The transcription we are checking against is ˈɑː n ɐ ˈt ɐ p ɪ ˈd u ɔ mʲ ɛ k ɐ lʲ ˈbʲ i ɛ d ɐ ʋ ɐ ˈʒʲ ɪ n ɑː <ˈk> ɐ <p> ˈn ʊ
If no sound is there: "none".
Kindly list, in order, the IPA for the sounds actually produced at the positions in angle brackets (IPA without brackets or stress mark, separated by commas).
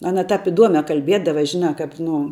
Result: k, p